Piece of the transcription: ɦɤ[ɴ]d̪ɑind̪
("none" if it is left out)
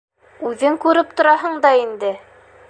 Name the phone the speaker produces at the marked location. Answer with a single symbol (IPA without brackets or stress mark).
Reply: ɴ